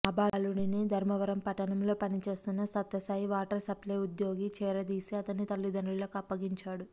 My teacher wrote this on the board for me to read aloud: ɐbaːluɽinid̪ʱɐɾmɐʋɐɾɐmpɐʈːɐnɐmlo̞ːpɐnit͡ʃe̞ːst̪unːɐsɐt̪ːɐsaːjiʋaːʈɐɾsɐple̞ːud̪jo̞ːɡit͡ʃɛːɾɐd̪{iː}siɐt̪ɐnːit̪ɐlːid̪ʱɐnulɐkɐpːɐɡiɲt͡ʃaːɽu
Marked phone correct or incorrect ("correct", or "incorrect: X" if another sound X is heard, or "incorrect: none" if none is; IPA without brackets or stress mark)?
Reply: correct